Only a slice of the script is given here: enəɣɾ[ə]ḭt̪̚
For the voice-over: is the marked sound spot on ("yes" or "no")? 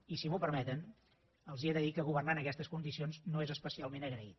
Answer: yes